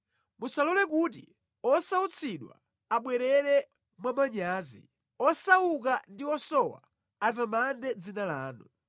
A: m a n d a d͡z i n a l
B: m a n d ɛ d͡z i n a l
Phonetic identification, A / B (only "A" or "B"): B